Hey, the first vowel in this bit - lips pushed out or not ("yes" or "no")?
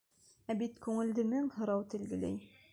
no